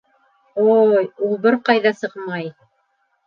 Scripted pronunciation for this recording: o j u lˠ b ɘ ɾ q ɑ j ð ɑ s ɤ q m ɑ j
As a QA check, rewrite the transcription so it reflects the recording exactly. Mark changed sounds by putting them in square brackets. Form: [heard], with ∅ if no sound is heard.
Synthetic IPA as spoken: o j u lˠ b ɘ ɾ q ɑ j ð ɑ s ɤ q m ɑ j